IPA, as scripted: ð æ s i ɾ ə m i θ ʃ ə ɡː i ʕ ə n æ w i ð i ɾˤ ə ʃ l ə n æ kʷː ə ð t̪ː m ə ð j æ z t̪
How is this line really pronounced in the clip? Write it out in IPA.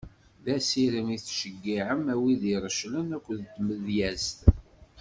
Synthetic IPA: ð æ s i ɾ ə m i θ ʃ ə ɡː i ʕ ə m æ w i ð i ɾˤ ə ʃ l ə n æ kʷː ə ð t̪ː m ə ð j æ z t̪